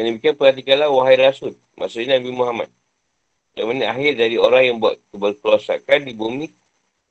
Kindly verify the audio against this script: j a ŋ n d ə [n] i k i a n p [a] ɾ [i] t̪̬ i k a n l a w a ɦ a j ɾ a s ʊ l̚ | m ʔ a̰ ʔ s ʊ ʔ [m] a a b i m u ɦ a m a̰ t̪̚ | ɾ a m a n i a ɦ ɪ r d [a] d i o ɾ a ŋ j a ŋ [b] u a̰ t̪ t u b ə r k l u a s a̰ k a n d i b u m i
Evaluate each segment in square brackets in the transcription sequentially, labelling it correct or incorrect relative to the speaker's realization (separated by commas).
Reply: incorrect, incorrect, incorrect, incorrect, correct, correct